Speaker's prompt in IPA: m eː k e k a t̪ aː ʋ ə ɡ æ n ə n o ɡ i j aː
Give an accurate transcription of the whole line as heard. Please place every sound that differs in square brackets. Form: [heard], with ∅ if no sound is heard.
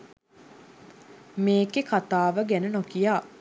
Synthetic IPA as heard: m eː k e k a t̪ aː ʋ ə ɡ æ n ə n o [k] i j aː